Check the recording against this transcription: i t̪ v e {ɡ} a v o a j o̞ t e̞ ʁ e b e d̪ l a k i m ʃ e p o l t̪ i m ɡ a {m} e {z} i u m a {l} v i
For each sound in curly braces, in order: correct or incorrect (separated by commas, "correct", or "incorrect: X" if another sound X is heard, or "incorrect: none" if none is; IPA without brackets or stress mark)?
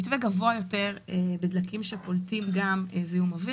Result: correct, correct, correct, incorrect: none